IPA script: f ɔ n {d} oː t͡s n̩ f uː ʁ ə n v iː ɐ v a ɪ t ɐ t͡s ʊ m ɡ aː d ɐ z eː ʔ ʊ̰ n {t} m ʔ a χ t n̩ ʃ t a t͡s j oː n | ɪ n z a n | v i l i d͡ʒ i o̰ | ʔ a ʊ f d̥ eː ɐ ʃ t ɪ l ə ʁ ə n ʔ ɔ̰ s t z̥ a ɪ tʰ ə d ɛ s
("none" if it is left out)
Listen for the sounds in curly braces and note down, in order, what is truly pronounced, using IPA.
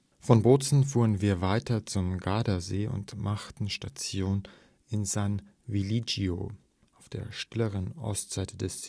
b, t

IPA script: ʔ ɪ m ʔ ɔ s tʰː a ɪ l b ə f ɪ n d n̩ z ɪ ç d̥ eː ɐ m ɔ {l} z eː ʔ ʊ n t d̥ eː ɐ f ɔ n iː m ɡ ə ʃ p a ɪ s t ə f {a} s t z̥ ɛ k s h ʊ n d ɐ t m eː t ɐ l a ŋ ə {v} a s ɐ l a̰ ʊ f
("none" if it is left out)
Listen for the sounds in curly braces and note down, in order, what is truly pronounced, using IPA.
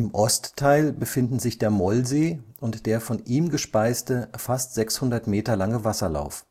l, a, v

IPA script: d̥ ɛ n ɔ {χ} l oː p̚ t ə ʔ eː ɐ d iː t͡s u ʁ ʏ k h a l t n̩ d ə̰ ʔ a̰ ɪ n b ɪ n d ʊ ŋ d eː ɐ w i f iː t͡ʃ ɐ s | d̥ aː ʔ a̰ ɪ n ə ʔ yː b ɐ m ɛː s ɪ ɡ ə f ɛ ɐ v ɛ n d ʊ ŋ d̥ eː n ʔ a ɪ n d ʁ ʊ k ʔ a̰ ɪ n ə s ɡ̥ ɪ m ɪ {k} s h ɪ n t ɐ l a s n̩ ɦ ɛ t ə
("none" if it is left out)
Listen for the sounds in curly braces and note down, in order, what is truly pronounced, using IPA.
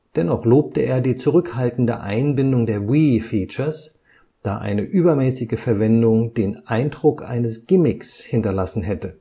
χ, k

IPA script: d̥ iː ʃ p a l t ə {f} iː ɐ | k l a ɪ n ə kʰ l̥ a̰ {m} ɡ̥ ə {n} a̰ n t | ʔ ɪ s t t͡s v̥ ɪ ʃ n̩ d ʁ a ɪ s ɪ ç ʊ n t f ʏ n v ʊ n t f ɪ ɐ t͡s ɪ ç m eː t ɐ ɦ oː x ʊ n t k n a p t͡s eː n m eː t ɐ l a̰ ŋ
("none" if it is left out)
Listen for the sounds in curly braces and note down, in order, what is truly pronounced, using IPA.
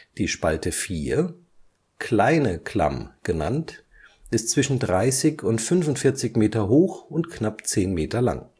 f, m, n

